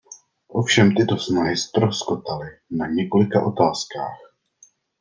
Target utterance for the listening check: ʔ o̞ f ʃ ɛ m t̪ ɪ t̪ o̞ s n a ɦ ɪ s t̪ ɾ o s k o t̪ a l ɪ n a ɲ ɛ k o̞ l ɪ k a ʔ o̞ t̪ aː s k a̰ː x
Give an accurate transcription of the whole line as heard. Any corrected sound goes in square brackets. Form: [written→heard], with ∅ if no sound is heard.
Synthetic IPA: ʔ o̞ f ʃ ɛ m t̪ ɪ t̪ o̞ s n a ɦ ɪ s t̪ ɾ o s k o t̪ a l ɪ n a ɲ ɛ k o̞ l ɪ k a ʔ o̞ t̪ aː s k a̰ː x